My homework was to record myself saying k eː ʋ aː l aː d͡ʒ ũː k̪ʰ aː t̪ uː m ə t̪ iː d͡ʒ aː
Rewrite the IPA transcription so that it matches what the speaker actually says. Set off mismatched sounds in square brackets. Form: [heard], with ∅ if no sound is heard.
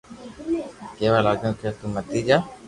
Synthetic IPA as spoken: k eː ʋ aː l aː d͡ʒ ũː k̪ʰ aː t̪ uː m ə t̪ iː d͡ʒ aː